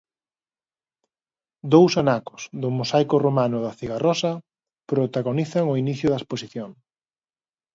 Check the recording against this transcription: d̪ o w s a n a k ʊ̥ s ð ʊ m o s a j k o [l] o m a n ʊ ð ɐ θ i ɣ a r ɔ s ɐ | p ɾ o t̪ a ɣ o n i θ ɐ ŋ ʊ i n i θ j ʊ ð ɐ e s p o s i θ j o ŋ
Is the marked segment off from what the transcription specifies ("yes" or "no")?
yes